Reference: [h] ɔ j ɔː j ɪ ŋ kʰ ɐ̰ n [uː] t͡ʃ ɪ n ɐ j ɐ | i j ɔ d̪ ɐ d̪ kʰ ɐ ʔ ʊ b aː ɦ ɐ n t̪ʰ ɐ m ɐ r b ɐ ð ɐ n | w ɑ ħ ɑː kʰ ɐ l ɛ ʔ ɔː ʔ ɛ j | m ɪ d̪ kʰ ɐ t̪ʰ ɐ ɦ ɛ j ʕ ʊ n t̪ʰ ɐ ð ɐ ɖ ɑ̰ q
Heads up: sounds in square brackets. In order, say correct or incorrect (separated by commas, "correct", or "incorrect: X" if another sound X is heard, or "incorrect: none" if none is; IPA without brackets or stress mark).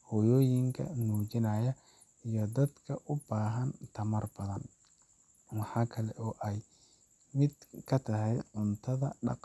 correct, correct